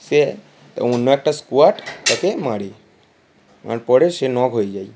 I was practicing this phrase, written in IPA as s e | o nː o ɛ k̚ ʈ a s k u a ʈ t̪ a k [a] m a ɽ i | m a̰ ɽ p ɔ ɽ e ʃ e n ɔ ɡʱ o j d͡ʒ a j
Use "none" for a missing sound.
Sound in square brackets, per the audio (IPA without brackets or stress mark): e